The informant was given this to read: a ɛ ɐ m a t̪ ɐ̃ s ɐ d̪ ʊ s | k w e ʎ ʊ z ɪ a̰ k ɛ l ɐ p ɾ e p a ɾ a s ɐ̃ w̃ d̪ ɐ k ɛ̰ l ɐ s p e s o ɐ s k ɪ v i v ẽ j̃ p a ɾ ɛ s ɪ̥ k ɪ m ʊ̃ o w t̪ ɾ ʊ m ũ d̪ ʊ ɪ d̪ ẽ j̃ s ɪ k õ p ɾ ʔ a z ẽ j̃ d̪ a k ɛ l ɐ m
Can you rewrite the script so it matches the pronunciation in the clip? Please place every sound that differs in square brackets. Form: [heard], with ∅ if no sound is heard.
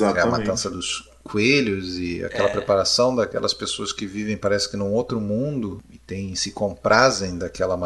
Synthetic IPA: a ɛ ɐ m a t̪ ɐ̃ s ɐ d̪ ʊ s | k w e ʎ ʊ z ɪ a̰ k ɛ l ɐ p ɾ e p a ɾ a s ɐ̃ w̃ d̪ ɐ k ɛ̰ l ɐ s p e s o ɐ s k ɪ v i v ẽ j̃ p a ɾ ɛ s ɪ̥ k ɪ [n] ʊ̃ o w t̪ ɾ ʊ m ũ d̪ ʊ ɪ [t̪] ẽ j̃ s ɪ k õ p ɾ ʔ a z ẽ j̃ d̪ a k ɛ l ɐ m